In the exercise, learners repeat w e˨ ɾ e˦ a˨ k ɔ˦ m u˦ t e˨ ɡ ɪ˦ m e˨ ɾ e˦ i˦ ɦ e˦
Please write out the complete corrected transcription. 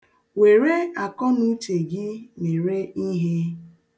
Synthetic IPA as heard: w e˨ ɾ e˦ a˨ k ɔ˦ n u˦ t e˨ ɡ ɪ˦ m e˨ ɾ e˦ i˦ ɦ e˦